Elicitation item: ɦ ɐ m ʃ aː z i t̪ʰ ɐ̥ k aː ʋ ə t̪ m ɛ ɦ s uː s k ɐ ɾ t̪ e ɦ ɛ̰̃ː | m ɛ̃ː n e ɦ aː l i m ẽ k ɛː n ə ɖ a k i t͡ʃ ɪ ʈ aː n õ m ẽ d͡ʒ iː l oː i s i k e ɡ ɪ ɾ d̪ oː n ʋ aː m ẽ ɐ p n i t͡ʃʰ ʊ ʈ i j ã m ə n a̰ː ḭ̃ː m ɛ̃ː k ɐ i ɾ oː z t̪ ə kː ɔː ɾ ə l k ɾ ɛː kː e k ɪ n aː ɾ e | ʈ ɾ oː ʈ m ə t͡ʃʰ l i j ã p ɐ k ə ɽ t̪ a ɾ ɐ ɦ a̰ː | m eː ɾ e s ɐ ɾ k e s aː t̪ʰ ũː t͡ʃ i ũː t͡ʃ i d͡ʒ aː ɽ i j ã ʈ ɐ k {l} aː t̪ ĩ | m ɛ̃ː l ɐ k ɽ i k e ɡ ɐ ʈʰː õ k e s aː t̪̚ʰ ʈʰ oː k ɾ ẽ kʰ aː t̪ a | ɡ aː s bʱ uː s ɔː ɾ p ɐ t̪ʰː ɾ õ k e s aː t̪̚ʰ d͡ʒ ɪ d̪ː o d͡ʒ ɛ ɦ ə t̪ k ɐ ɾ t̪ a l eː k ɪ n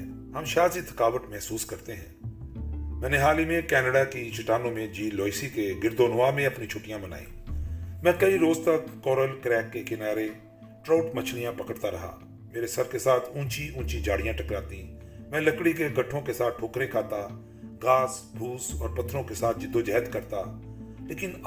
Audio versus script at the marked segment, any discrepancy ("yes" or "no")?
yes